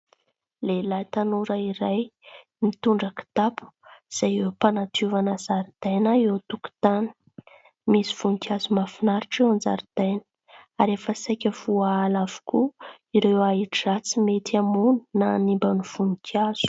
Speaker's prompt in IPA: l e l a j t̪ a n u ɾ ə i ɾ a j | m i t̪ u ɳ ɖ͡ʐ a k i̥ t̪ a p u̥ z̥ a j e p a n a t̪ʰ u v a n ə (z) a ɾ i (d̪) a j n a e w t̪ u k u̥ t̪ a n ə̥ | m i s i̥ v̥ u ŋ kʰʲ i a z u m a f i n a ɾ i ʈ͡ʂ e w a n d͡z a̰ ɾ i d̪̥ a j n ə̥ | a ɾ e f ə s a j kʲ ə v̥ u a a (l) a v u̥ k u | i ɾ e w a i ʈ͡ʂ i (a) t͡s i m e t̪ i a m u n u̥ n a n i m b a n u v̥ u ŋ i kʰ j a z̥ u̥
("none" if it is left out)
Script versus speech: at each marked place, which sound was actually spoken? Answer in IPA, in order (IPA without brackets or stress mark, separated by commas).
z, d̪, l, a